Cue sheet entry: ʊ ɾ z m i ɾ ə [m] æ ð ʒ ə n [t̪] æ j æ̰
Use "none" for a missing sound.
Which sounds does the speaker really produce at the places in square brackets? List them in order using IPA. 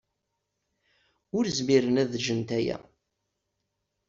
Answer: n, t̪

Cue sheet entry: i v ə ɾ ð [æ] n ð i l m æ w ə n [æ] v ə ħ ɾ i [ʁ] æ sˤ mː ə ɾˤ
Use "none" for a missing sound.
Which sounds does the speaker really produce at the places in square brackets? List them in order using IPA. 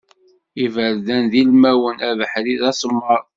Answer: æ, æ, ð

